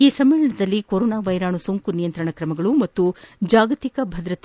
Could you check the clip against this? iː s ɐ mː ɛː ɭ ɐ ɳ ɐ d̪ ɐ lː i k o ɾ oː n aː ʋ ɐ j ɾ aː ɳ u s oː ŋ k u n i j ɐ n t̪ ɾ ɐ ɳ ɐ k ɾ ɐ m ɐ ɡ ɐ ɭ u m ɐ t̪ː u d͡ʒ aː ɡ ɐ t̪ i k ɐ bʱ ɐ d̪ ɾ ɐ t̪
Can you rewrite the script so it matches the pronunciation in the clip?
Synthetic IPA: iː s ɐ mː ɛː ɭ ɐ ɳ ɐ d̪ ɐ lː i k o ɾ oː n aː ʋ ɐ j ɾ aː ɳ u s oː ŋ k u n i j ɐ n t̪ ɾ ɐ ɳ ɐ k ɾ ɐ m ɐ ɡ ɐ ɭ u m ɐ t̪ː u d͡ʒ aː ɡ ɐ t̪ i k ɐ bʱ ɐ d̪ ɾ ɐ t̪

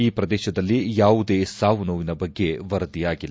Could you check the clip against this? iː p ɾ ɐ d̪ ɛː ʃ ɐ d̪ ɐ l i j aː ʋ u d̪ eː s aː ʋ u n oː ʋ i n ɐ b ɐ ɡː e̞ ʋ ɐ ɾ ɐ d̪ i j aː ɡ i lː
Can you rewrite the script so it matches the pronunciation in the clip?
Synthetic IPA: iː p ɾ ɐ d̪ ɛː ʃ ɐ d̪ ɐ lː i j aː ʋ u d̪ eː s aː ʋ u n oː ʋ i n ɐ b ɐ ɡː e̞ ʋ ɐ ɾ ɐ d̪ i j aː ɡ i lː

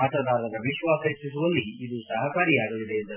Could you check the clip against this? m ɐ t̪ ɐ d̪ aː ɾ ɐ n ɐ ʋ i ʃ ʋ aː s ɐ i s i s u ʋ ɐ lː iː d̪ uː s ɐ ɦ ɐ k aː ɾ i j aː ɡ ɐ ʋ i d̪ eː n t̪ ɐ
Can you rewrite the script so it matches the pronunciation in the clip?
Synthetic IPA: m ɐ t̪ ɐ d̪ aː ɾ ɐ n ɐ ʋ i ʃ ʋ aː s ɐ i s i s u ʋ ɐ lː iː d̪ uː s ɐ ɦ ɐ k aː ɾ i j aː ɡ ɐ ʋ i d̪ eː n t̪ ɐ

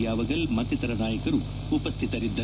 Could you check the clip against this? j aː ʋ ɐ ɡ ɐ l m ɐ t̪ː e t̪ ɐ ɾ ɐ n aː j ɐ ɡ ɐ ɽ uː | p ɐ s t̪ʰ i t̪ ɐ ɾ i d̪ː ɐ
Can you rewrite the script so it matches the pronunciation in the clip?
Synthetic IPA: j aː ʋ ɐ ɡ ɐ l m ɐ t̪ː i t̪ ɐ ɾ ɐ n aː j ɐ k ɐ ɾ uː | p ɐ s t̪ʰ i t̪ ɐ ɾ i d̪ː ɐ

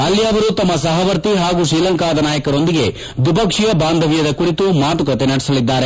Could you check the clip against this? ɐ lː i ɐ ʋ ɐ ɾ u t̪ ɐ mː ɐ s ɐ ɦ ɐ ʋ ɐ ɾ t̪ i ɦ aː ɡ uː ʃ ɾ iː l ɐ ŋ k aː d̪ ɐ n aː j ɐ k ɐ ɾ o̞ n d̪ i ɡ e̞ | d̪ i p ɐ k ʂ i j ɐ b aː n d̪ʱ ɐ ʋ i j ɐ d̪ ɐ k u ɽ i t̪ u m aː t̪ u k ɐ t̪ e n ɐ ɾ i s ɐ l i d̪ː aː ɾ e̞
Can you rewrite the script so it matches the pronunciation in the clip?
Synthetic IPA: ɐ lː i ɐ ʋ ɐ ɾ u t̪ ɐ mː ɐ s ɐ ɦ ɐ ʋ ɐ ɾ t̪ i ɦ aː ɡ uː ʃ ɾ iː l ɐ ŋ k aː d̪ ɐ n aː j ɐ k ɐ ɾ o̞ n d̪ i ɡ e̞ | d̪ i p ɐ k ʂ i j ɐ b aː n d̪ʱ ɐ ʋ i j ɐ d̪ ɐ k u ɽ i t̪ u m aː t̪ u k ɐ t̪ e n ɐ ɽ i s ɐ l i d̪ː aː ɾ e̞

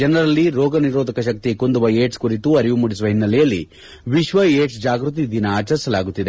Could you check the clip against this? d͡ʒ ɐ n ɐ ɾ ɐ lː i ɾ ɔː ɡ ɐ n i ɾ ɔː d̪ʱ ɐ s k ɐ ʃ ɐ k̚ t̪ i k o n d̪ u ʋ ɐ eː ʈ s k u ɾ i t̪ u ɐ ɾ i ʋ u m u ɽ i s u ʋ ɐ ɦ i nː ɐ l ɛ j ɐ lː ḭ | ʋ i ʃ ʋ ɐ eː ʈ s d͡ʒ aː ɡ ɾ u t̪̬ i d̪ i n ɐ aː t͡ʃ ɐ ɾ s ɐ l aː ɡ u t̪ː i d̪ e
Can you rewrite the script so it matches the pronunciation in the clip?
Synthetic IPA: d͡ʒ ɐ n ɐ ɾ ɐ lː i ɾ ɔː ɡ ɐ n i ɾ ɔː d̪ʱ ɐ k ɐ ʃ ɐ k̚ t̪ i k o n d̪ u ʋ ɐ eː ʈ s k u ɾ i t̪ u ɐ ɾ i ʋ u m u ɽ i s u ʋ ɐ ɦ i nː ɐ l ɛ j ɐ lː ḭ | ʋ i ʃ ʋ ɐ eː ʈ s d͡ʒ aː ɡ ɾ u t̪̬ i d̪ i n ɐ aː t͡ʃ ɐ ɾ s ɐ l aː ɡ u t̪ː i d̪ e

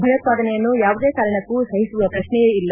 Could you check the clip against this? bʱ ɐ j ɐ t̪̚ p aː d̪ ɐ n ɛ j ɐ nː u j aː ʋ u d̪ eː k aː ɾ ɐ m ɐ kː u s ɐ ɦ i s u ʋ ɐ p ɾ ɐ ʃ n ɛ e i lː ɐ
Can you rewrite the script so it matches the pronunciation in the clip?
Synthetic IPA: bʱ ɐ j ɐ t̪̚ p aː d̪ ɐ n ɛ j ɐ nː u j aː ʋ u d̪ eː k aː ɾ ɐ ɳ ɐ kː u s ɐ ɦ i s u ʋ ɐ p ɾ ɐ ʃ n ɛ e i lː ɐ

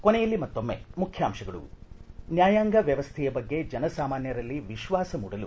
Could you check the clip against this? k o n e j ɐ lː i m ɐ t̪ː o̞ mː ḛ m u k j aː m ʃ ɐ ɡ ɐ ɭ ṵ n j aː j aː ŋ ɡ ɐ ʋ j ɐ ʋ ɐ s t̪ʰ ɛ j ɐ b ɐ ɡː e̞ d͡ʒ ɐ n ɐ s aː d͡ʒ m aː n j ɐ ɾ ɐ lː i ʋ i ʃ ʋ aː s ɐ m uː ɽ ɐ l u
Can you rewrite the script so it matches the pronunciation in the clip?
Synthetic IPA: k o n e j ɐ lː i m ɐ t̪ː o̞ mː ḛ m u kʰ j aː m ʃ ɐ ɡ ɐ ɭ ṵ n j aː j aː ŋ ɡ ɐ ʋ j ɐ ʋ ɐ s t̪ʰ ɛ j ɐ b ɐ ɡː e̞ d͡ʒ ɐ n ɐ s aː m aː n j ɐ ɾ ɐ lː i ʋ i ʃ ʋ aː s ɐ m uː ɽ ɐ l u

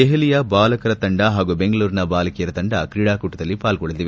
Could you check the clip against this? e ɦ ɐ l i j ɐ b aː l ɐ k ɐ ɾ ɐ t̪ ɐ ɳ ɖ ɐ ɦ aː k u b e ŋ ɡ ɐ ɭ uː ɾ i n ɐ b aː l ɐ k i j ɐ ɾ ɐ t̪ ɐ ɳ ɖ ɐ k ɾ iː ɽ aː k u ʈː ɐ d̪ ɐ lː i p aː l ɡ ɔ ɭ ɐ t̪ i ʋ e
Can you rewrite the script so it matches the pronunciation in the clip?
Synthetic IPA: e ɦ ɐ l i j ɐ b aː l ɐ k ɐ ɾ ɐ t̪ ɐ ɳ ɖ ɐ ɦ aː ɡ u b e ŋ ɡ ɐ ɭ uː ɾ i n ɐ b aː l ɐ k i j ɐ ɾ ɐ t̪ ɐ ɳ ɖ ɐ k ɾ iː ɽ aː k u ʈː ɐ d̪ ɐ lː i p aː l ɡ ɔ ɭ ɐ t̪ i ʋ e

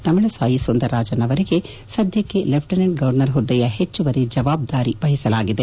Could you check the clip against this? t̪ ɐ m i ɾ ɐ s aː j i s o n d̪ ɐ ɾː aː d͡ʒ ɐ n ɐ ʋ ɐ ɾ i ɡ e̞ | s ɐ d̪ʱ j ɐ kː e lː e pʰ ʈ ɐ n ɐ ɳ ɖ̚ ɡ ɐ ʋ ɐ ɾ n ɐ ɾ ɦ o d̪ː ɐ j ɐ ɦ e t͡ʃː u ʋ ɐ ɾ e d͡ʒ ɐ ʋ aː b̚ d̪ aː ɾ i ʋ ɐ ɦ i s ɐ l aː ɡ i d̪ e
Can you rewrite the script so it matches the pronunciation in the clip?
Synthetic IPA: t̪ ɐ m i ɭ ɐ s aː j i s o n d̪ ɐ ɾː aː d͡ʒ ɐ n ɐ ʋ ɐ ɾ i ɡ e̞ | s ɐ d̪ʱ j ɐ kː e l e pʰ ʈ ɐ n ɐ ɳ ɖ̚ ɡ ɐ ʋ ɐ ɾ n ɐ ɾ ɦ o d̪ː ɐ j ɐ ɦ e t͡ʃː u ʋ ɐ ɾ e d͡ʒ ɐ ʋ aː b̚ d̪ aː ɾ i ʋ ɐ ɦ i s ɐ l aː ɡ i d̪ e

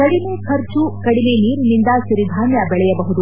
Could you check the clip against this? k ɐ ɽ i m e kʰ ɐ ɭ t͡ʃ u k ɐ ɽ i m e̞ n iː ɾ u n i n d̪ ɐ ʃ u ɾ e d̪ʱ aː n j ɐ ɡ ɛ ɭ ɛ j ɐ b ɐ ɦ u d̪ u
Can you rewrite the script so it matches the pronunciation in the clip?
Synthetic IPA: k ɐ ɽ i m e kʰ ɐ ɾ t͡ʃ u k ɐ ɽ i m e̞ n iː ɾ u n i n d̪ ɐ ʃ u ɾ i d̪ʱ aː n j ɐ b ɛ ɭ ɛ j ɐ b ɐ ɦ u d̪ u

